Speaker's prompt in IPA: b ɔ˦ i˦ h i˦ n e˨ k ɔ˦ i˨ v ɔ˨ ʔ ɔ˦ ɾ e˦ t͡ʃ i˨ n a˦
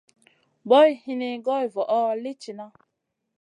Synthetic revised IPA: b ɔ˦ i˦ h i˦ n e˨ ɡ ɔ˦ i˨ v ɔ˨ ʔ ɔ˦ l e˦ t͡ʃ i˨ n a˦